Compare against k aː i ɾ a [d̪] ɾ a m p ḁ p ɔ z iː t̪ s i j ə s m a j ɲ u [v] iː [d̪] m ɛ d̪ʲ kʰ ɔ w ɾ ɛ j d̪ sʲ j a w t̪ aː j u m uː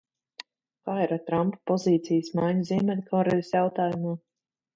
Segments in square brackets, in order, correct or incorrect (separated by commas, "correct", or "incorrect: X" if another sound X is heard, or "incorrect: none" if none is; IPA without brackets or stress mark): incorrect: t̪, incorrect: z, incorrect: none